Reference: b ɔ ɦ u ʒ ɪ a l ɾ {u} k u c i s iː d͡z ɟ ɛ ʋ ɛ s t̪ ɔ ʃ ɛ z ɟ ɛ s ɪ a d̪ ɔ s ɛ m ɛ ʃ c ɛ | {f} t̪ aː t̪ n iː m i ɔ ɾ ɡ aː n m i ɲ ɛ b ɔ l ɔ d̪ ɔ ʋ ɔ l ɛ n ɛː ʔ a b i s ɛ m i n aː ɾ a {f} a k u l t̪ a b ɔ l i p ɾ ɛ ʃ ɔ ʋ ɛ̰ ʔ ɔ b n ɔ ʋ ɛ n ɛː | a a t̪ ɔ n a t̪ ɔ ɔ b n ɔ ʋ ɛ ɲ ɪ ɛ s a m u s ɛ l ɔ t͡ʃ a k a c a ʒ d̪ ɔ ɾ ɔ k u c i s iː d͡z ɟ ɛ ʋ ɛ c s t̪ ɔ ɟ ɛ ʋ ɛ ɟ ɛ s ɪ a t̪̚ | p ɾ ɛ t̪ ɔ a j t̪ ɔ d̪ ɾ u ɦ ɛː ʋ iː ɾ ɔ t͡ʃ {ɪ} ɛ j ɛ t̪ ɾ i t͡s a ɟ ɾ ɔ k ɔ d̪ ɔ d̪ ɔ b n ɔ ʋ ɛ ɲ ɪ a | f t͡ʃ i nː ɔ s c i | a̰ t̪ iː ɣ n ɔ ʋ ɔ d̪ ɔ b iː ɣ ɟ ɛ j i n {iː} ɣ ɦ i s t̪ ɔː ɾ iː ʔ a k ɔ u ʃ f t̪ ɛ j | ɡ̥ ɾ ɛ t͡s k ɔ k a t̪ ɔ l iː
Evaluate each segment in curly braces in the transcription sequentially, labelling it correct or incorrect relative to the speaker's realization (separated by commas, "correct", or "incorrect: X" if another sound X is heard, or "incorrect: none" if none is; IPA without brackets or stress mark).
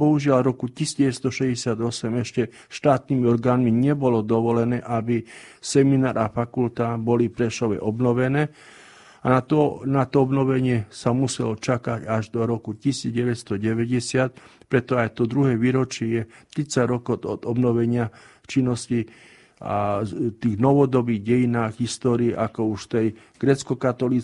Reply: incorrect: ɔ, incorrect: ʃ, correct, correct, incorrect: aː